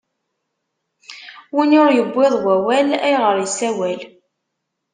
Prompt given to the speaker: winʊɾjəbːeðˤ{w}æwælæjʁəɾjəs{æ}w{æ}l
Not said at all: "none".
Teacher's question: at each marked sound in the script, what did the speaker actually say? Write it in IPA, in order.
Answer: w, æ, æ

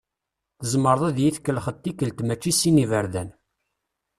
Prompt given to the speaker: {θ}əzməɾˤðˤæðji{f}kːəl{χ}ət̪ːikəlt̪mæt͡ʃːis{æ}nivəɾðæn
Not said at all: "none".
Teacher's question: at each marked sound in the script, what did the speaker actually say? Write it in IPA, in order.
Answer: θ, θ, χ, i

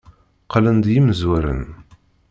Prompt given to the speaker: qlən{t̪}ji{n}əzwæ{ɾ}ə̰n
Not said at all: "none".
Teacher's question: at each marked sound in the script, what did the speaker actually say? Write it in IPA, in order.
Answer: d̪, m, ɾ

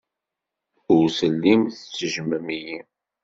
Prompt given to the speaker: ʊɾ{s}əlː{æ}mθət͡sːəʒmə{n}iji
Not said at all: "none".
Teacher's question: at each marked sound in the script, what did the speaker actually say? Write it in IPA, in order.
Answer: s, i, m

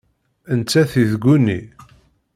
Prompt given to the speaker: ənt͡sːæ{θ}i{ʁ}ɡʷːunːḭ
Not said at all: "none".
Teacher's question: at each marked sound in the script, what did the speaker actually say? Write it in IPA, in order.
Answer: θ, ð

